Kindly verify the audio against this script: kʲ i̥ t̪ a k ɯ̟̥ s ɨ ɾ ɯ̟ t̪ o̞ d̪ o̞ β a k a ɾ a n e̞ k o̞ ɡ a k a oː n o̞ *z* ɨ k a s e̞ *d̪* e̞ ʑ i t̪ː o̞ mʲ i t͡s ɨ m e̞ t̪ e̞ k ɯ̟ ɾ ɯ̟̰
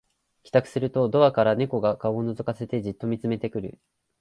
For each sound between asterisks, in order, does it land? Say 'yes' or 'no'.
yes, no

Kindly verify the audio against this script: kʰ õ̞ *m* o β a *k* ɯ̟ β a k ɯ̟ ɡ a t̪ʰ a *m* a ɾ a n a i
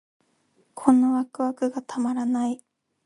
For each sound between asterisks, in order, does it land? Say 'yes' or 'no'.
no, yes, yes

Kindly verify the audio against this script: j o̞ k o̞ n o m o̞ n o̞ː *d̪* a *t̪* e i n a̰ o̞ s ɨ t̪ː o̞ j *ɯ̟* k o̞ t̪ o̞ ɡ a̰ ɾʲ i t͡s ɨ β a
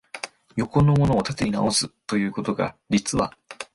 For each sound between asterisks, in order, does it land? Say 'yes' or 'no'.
no, yes, no

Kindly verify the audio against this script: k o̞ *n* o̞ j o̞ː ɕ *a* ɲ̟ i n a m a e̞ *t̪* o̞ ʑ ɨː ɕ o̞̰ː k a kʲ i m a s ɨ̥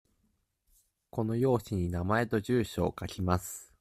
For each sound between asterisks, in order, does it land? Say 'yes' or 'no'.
yes, no, yes

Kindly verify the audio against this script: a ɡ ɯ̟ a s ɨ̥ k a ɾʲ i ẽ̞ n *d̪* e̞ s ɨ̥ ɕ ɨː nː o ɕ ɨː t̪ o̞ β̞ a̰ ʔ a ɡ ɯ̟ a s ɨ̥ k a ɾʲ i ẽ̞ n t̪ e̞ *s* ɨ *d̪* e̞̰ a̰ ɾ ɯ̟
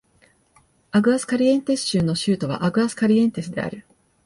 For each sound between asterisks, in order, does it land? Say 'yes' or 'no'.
no, yes, yes

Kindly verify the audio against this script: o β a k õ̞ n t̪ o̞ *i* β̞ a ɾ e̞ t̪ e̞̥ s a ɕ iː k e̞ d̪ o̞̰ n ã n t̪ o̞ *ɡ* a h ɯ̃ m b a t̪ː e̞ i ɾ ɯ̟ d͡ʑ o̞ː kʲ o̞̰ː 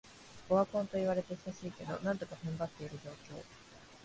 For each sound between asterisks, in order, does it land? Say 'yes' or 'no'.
yes, no

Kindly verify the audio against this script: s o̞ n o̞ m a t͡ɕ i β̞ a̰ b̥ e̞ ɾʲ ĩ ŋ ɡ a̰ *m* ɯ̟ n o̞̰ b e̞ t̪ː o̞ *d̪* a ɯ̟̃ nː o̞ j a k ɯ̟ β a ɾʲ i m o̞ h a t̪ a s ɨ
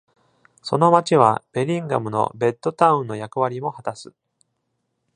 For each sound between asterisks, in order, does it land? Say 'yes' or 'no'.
yes, no

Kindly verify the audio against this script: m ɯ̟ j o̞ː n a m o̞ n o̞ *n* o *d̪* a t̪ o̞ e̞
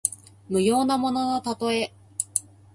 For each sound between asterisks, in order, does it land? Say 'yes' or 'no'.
yes, no

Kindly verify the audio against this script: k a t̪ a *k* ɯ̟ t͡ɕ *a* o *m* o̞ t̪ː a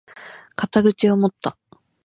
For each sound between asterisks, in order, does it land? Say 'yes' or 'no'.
no, no, yes

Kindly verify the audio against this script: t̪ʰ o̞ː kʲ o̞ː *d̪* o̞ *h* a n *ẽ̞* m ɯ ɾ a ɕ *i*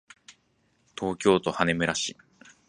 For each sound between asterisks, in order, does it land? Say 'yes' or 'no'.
no, yes, no, yes

